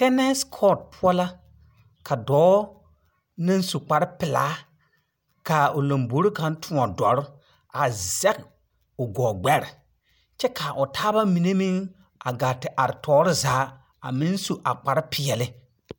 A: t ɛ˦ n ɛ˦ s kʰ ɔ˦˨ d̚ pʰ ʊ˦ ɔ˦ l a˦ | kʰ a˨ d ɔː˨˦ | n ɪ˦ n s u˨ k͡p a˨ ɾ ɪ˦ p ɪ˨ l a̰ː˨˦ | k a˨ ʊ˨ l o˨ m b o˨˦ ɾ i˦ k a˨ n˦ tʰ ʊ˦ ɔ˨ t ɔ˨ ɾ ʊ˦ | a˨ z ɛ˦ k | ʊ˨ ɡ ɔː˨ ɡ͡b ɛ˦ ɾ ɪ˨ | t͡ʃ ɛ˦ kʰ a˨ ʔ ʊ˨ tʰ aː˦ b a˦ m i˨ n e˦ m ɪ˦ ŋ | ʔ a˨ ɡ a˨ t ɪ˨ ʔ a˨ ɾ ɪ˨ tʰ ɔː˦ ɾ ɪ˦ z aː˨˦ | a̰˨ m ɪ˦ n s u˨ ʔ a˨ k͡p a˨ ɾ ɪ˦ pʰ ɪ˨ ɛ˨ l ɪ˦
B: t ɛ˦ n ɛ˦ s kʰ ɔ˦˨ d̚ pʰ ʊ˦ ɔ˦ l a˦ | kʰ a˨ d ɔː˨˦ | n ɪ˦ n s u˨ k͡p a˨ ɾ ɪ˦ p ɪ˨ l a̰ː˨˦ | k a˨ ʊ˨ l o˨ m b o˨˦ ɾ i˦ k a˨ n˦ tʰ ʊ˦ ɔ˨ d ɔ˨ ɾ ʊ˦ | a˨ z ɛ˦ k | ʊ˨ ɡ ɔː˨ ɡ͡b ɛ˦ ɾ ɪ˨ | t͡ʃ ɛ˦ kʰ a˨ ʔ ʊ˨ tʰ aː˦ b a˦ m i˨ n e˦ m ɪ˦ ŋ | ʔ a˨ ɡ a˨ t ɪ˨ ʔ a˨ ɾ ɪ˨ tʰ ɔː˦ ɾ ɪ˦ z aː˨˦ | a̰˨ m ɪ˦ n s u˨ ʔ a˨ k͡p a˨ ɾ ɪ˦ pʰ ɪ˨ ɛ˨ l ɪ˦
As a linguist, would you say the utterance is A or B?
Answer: B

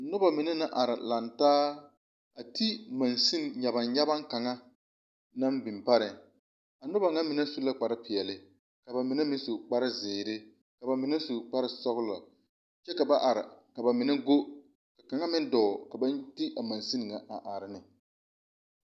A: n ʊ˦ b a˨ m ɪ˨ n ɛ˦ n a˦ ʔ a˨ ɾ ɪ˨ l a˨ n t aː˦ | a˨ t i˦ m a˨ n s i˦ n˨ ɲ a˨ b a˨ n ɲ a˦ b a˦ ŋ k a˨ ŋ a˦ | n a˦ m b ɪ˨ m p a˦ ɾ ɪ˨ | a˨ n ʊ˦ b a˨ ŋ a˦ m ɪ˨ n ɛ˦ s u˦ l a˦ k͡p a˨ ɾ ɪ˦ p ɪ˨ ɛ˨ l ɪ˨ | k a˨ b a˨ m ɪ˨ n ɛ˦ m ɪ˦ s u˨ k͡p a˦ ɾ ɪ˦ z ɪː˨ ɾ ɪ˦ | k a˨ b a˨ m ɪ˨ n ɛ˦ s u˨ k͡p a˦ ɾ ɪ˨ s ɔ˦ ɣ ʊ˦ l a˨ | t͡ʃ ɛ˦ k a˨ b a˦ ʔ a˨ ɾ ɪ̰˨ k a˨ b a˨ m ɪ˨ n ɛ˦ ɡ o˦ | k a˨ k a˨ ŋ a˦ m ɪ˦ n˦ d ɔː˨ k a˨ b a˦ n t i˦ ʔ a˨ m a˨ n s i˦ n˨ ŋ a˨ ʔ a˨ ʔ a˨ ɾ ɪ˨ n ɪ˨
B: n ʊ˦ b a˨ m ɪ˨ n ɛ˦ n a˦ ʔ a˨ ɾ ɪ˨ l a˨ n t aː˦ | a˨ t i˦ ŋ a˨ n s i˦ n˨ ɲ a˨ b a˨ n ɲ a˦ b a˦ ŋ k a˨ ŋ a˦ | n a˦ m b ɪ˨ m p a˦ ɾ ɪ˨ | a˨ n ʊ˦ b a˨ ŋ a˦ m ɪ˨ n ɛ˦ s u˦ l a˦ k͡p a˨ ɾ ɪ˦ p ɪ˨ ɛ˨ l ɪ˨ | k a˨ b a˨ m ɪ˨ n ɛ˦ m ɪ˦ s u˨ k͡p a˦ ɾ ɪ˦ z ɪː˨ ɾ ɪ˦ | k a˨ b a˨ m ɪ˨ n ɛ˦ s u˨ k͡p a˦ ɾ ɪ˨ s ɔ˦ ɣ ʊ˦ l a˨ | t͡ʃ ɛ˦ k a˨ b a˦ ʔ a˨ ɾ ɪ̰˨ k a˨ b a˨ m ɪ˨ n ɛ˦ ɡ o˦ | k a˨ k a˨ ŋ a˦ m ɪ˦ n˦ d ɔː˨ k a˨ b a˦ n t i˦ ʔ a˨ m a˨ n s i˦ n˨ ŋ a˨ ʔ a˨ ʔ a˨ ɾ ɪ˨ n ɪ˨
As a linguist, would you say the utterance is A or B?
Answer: A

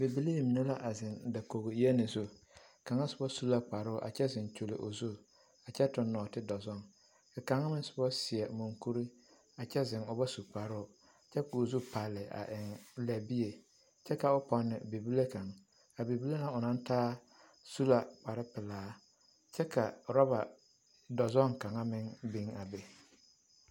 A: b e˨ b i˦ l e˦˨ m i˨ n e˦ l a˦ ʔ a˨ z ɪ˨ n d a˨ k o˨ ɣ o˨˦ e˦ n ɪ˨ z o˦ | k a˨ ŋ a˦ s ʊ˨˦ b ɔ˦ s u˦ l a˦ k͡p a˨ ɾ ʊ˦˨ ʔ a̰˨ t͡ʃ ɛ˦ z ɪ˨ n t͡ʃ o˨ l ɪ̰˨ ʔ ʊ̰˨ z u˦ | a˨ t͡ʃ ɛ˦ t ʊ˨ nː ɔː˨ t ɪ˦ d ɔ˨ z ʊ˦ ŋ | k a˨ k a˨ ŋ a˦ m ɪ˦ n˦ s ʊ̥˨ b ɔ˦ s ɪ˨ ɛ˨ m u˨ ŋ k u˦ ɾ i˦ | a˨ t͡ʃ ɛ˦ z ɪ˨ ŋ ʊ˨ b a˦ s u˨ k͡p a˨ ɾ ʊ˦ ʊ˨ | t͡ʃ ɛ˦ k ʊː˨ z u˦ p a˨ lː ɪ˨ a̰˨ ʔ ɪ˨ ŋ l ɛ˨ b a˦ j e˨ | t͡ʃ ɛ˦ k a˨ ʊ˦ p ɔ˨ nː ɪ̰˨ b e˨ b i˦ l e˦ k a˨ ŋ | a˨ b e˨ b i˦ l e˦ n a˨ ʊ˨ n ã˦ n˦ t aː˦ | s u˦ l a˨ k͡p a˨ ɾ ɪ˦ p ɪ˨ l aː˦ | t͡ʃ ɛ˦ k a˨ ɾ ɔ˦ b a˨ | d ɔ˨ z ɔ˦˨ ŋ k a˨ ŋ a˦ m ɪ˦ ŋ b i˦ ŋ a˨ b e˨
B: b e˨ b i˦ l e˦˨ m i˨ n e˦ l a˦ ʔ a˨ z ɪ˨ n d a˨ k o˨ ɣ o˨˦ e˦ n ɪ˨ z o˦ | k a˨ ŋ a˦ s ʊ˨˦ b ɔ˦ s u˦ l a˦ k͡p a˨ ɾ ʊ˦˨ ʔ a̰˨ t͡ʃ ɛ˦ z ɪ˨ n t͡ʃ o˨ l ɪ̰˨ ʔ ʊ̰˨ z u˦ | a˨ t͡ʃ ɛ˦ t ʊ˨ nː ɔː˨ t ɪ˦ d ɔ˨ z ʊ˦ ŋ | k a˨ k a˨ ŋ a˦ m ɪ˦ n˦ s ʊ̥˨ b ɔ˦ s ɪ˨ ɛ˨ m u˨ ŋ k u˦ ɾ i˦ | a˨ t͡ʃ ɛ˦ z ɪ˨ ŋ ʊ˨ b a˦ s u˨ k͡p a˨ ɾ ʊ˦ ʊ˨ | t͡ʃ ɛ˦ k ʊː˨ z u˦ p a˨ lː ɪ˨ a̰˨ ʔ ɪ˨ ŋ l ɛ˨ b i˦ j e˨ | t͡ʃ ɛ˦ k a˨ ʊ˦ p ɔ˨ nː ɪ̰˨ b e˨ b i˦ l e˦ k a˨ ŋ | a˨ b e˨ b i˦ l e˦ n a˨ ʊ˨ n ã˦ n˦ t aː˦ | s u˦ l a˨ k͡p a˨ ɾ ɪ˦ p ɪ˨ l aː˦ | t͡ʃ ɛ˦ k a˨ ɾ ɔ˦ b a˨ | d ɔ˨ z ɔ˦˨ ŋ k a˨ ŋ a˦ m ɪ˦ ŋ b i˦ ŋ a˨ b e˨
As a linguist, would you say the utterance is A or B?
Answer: B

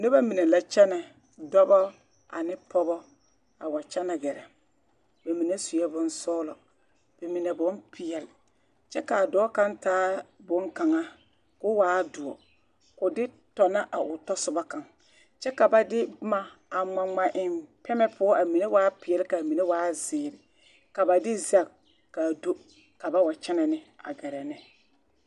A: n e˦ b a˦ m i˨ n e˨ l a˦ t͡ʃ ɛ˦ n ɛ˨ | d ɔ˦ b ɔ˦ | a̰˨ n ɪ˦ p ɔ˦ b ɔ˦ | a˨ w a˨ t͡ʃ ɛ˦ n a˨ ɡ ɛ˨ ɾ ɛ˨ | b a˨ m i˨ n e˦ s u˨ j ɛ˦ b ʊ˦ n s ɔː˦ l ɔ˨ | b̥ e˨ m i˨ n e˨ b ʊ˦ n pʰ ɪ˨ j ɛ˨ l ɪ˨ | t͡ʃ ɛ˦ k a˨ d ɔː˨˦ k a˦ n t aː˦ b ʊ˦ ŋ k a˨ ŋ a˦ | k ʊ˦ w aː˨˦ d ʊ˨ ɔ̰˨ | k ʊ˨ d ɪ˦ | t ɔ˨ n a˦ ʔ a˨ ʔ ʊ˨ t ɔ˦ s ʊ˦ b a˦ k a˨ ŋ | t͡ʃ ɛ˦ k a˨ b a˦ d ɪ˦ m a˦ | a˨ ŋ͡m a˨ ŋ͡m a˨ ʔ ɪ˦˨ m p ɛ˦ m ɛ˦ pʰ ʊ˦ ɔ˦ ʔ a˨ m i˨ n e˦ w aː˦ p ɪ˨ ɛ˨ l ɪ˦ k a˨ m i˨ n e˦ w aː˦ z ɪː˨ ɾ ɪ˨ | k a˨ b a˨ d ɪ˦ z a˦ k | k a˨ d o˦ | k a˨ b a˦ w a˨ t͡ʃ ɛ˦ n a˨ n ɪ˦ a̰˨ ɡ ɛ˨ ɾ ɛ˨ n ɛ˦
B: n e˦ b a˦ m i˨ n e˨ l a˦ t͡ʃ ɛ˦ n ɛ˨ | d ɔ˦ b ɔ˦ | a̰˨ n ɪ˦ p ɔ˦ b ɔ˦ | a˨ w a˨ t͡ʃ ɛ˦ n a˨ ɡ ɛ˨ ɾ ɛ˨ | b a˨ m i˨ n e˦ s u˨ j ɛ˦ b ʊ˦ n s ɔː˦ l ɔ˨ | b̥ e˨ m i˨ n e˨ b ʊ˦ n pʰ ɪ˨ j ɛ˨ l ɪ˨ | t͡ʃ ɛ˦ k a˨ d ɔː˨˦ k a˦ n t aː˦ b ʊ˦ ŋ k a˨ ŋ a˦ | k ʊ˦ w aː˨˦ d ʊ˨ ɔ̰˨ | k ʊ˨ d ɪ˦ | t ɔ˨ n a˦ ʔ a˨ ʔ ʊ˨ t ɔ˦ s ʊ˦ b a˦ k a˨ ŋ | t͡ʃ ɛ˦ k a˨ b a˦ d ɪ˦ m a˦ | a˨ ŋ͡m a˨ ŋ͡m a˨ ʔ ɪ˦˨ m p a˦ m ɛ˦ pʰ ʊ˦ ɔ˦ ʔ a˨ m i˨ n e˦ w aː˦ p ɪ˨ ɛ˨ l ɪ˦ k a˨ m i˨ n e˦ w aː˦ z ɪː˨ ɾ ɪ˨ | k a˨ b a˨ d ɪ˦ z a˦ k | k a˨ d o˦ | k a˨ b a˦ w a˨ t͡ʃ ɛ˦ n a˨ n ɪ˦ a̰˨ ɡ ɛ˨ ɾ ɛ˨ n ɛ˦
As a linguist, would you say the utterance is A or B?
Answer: A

